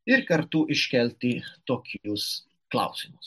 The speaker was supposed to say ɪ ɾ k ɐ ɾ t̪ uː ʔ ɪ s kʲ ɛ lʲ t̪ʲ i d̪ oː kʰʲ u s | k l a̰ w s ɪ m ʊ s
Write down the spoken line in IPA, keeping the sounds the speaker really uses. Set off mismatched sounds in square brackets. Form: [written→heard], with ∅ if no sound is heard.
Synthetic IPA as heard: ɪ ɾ k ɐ ɾ t̪ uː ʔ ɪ [s→ʃ] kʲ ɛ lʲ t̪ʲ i [d̪→t̪] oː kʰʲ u s | k l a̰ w s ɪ m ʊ s